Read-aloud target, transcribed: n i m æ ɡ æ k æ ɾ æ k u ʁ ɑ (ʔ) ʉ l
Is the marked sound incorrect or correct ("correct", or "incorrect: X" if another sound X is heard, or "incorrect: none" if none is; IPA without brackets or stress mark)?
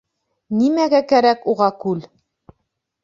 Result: incorrect: k